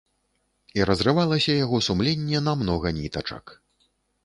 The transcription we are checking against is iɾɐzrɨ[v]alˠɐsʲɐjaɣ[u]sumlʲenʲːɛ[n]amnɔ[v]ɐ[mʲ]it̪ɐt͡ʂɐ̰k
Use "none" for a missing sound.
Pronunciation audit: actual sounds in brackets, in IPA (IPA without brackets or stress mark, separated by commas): v, ɔ, n, ɣ, nʲ